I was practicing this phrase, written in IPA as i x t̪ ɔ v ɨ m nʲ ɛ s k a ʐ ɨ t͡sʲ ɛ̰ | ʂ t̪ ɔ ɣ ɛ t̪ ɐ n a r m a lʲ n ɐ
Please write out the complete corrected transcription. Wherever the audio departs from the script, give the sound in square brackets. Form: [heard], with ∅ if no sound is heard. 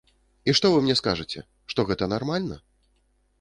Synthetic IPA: i [ʂ] t̪ ɔ v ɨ m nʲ ɛ s k a ʐ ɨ t͡sʲ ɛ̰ | ʂ t̪ ɔ ɣ ɛ t̪ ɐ n a r m a lʲ n ɐ